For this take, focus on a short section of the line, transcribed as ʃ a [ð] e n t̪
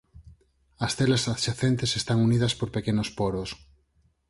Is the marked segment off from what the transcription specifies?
yes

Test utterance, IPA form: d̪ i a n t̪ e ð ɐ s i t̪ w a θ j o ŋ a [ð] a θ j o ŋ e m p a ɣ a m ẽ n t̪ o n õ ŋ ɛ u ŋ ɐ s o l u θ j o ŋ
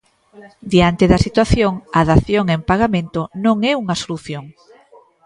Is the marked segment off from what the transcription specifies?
no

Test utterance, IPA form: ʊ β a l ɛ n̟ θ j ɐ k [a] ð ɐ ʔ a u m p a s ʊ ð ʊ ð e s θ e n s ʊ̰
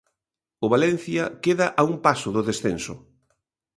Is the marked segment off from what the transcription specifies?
yes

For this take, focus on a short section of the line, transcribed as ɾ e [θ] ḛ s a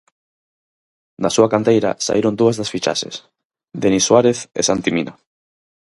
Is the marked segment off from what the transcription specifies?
no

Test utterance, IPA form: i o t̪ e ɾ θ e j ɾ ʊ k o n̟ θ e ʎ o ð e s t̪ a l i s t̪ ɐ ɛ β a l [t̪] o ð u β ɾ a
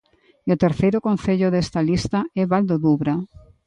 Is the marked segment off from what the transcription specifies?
yes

